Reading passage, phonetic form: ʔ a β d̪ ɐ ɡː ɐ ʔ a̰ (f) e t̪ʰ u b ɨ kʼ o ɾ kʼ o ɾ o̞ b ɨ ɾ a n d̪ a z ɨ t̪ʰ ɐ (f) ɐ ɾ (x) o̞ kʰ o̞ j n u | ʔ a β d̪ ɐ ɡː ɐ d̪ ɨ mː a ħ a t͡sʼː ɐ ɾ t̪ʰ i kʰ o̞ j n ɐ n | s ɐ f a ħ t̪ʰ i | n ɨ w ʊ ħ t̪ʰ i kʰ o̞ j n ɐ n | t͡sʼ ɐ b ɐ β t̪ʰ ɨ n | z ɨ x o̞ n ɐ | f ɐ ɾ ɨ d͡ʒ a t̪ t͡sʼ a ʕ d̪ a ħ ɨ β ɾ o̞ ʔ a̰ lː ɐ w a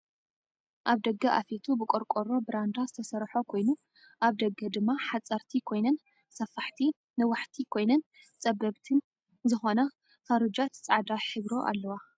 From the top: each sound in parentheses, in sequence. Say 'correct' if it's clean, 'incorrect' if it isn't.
correct, incorrect, incorrect

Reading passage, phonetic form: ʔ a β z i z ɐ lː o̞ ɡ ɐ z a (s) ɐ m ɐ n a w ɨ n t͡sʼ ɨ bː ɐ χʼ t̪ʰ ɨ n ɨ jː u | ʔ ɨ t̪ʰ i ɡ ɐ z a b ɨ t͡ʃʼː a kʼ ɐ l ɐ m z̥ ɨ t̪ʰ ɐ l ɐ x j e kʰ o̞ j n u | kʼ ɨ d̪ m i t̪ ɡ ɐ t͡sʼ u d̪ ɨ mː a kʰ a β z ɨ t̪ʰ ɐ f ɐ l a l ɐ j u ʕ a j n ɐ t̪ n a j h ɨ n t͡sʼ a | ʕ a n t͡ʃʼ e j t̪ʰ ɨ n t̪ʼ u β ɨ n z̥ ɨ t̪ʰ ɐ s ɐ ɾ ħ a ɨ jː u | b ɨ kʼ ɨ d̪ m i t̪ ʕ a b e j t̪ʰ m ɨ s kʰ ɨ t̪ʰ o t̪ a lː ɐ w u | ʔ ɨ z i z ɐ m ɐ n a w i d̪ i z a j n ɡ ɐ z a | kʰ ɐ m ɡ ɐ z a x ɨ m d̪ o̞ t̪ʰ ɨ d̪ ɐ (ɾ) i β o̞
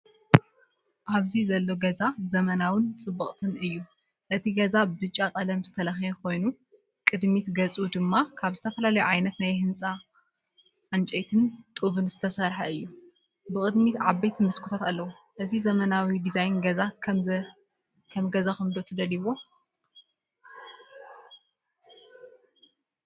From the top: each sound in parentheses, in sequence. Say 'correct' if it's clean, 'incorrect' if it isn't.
incorrect, incorrect

